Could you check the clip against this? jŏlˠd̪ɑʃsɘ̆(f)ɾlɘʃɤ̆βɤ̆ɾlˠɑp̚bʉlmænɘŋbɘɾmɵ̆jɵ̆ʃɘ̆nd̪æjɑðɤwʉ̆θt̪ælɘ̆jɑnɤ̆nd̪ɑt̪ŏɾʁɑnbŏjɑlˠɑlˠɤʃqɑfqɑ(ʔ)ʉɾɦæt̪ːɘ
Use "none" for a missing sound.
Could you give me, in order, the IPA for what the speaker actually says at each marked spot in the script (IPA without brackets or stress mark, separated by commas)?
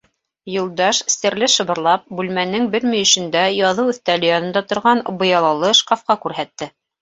none, k